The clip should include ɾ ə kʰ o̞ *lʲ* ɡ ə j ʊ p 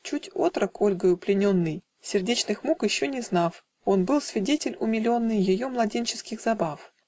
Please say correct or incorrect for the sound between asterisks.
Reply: correct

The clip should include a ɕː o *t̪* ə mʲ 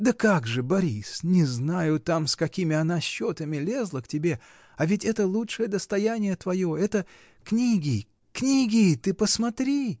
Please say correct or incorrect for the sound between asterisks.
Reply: correct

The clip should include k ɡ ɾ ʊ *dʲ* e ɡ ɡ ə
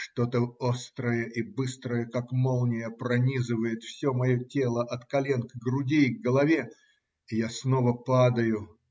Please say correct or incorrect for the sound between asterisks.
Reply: correct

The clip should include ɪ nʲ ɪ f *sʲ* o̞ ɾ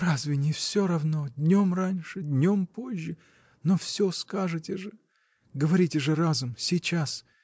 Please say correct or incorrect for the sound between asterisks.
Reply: correct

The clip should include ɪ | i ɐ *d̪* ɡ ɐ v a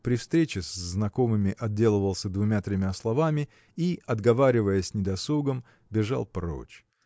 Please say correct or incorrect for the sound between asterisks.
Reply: correct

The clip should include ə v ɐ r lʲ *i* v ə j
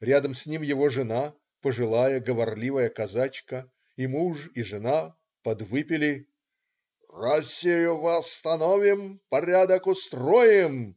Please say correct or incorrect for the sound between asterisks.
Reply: correct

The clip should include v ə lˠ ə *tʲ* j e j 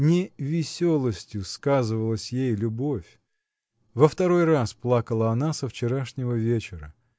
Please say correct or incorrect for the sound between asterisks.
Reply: incorrect: sʲ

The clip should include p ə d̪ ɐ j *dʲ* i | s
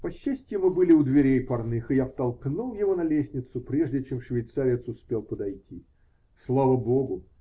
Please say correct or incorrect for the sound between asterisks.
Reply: incorrect: tʲ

